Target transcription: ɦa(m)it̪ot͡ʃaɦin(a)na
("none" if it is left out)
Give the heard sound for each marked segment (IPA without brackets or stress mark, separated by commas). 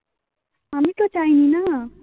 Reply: m, i